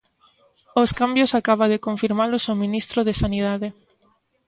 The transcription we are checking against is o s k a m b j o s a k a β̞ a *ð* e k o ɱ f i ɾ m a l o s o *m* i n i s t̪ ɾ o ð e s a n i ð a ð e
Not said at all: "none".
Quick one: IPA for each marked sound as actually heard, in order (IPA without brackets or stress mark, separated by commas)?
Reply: ð, m